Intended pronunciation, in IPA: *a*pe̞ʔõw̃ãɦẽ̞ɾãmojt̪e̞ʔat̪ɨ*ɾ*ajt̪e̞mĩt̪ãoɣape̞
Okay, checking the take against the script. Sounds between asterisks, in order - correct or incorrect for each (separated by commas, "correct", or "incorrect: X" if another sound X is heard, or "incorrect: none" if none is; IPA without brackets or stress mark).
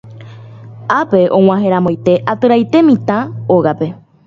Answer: correct, correct